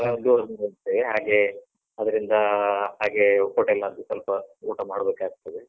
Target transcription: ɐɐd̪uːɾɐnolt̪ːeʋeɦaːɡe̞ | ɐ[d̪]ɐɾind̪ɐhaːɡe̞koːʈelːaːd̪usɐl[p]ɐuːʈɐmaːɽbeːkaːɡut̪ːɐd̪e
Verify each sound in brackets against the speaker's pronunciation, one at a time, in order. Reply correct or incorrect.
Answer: correct, correct

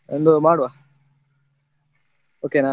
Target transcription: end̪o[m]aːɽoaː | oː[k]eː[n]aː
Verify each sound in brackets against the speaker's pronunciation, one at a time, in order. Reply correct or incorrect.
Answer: correct, correct, correct

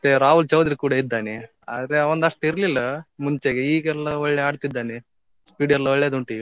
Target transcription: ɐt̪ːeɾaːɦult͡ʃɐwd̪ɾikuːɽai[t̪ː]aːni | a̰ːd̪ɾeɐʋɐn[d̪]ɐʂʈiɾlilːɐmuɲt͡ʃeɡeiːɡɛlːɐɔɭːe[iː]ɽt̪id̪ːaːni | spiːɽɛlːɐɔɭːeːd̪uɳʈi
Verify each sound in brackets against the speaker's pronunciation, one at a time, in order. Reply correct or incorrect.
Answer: incorrect, correct, incorrect

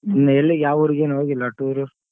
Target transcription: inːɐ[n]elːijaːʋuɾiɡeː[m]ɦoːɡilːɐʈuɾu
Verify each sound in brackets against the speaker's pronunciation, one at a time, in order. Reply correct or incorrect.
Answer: incorrect, incorrect

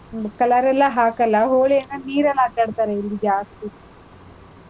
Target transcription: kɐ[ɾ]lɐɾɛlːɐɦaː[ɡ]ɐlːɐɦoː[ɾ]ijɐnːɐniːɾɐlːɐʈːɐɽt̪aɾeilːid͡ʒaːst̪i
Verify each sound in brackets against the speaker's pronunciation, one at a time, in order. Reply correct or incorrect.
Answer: incorrect, incorrect, incorrect

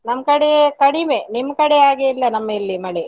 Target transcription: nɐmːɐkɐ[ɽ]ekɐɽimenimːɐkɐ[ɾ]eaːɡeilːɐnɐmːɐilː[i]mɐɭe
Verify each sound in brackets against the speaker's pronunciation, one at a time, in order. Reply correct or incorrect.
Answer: correct, incorrect, correct

